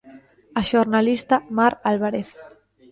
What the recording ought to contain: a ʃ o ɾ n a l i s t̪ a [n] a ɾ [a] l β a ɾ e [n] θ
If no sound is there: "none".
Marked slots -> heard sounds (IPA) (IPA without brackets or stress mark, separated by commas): m, a, none